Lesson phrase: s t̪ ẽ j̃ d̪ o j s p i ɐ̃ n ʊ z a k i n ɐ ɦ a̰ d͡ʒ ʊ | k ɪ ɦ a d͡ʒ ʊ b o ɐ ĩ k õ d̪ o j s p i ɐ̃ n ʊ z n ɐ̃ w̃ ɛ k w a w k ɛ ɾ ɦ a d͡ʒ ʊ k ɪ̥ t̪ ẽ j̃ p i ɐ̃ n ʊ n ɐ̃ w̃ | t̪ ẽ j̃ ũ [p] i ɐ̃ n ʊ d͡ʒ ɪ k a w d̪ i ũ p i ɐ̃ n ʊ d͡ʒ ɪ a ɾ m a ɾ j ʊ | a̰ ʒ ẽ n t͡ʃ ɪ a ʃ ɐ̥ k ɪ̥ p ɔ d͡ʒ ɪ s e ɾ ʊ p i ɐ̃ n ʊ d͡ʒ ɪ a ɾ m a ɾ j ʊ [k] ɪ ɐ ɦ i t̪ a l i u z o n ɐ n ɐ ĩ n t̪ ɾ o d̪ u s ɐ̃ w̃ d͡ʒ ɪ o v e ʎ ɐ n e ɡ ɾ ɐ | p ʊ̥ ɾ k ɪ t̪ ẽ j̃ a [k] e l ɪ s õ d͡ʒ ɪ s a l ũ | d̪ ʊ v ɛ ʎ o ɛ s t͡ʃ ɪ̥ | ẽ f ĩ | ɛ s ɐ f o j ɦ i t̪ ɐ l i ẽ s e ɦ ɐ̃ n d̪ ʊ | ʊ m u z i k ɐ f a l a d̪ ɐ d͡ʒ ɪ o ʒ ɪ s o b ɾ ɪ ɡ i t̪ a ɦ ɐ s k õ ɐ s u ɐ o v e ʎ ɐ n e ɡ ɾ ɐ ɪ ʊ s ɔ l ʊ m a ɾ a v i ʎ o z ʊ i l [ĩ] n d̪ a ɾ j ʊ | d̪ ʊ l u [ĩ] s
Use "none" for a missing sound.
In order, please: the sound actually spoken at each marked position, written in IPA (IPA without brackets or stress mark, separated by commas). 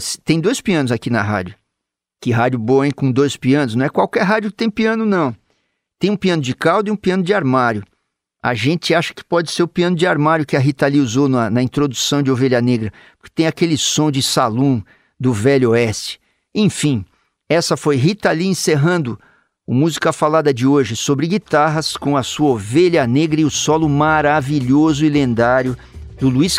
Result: p, k, k, ẽ, i